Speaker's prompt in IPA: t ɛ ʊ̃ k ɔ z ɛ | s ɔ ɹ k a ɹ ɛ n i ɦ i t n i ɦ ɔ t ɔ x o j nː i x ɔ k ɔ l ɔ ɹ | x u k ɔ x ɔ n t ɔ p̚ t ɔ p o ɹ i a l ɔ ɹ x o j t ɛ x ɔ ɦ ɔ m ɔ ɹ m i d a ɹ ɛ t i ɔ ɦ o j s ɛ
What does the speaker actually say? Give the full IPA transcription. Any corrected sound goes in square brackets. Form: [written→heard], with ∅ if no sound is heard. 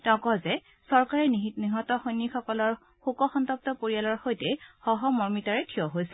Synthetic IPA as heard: t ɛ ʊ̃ k ɔ z ɛ | s ɔ ɹ k a ɹ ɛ n i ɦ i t n i ɦ ɔ t ɔ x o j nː i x ɔ k ɔ l ɔ ɹ | x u k ɔ x ɔ n t ɔ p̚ t ɔ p o ɹ i a l ɔ ɹ x o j t ɛ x ɔ ɦ ɔ m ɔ ɹ m i [d→t] a ɹ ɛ [t→tʰ] i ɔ ɦ o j s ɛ

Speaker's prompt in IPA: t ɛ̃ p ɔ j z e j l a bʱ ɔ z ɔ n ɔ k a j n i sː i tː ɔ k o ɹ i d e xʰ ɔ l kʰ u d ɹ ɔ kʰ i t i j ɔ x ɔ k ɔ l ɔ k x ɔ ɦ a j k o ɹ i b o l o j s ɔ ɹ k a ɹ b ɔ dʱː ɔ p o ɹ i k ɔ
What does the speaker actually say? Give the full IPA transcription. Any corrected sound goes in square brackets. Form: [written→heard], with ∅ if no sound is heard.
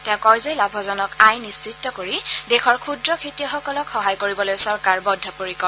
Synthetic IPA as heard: t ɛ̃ [p→k] ɔ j z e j l a bʱ ɔ z ɔ n ɔ k a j n i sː i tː ɔ k o ɹ i d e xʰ ɔ [l→ɹ] kʰ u d ɹ ɔ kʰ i t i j ɔ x ɔ k ɔ l ɔ k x ɔ ɦ a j k o ɹ i b [o→ɔ] l o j s ɔ ɹ k a ɹ b ɔ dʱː ɔ p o ɹ i k ɔ

